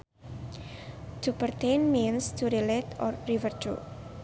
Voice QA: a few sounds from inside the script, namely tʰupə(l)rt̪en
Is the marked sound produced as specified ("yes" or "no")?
no